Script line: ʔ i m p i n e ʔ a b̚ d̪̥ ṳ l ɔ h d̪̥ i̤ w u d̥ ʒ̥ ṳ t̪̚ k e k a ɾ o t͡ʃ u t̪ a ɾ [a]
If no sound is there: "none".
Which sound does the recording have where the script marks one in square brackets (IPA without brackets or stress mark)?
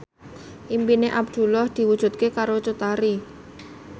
i